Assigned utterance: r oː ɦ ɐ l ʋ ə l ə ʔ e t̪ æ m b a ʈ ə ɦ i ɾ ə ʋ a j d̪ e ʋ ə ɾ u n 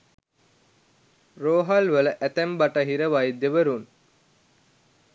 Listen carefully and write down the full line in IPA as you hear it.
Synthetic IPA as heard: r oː ɦ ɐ l ʋ ə l ə ʔ æ t̪ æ m b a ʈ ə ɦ i ɾ ə ʋ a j d̪ e ʋ ə ɾ u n